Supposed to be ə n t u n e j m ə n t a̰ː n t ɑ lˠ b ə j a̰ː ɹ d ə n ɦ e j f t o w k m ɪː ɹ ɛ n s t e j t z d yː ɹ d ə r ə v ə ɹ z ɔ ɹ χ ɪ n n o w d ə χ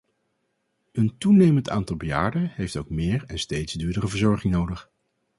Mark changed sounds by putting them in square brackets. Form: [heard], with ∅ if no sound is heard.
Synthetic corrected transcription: ə n t u n e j m ə n t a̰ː n t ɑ lˠ b ə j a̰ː ɹ d ə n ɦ e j f t o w k m ɪː ɹ ɛ n s t e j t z d yː ɹ d ə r ə v ə ɹ z ɔ ɹ χ ɪ [ŋ] n o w d ə χ